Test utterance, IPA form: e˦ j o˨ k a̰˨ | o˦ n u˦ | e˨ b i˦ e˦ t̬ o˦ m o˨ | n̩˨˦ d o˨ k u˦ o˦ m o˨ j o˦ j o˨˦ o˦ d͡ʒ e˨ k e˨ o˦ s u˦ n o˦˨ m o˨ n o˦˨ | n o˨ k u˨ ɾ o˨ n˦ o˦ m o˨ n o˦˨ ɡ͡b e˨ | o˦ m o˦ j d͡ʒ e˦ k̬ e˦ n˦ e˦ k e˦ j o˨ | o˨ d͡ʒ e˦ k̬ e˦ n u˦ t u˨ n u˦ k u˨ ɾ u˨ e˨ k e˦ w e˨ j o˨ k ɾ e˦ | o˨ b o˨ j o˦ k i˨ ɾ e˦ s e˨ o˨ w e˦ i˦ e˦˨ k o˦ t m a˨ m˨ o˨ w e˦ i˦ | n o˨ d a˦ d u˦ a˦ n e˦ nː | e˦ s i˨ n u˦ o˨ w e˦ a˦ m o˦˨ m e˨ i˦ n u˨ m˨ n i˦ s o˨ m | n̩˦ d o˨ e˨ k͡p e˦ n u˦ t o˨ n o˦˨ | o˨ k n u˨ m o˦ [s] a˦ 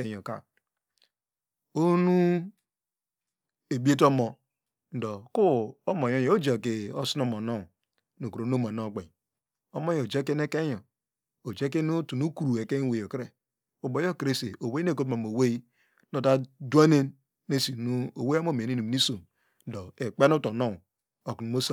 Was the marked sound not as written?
no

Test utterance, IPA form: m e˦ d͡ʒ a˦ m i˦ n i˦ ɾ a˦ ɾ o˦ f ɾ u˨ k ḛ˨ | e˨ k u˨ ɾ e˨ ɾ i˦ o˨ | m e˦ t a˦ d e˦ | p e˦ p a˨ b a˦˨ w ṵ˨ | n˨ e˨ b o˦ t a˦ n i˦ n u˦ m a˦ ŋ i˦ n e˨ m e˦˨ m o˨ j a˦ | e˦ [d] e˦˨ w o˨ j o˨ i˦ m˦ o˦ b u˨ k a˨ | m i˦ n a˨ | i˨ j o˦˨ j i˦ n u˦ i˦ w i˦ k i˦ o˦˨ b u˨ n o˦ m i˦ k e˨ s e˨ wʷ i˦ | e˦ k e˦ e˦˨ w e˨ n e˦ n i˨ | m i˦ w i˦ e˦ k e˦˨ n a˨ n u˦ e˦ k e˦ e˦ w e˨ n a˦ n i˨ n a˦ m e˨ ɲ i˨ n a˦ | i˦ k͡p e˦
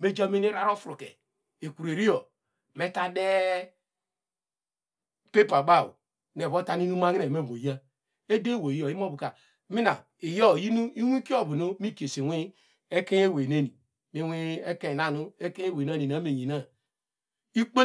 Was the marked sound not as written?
no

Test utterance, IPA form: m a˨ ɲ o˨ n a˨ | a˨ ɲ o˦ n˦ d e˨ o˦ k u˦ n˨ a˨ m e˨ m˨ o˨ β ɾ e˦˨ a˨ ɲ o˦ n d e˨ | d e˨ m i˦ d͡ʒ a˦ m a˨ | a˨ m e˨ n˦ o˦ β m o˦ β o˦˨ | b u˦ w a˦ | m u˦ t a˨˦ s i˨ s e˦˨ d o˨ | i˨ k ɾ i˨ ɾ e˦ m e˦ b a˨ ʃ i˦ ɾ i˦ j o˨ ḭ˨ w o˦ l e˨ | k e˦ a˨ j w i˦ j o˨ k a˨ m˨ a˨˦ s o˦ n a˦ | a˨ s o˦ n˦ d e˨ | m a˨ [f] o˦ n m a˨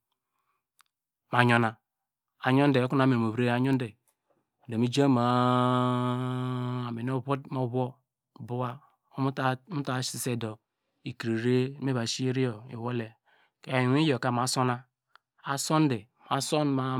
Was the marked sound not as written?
yes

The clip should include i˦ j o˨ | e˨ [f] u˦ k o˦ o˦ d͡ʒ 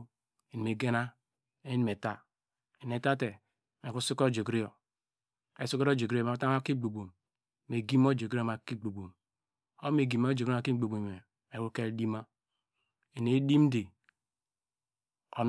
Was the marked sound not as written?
yes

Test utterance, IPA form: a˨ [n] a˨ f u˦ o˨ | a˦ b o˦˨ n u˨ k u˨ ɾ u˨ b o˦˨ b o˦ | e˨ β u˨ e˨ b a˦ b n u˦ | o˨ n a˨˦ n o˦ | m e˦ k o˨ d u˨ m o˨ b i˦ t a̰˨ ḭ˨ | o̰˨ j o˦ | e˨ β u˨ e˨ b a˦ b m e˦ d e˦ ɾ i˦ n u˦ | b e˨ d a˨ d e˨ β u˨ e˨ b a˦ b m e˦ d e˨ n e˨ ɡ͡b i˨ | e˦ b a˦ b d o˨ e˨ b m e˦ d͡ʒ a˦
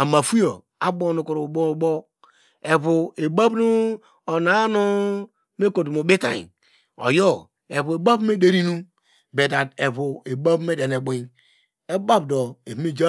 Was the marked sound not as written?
yes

